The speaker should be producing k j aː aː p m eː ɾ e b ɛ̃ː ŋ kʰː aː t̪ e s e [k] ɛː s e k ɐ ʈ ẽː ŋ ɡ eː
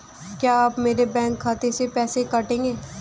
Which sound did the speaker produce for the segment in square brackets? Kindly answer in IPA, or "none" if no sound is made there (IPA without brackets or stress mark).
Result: p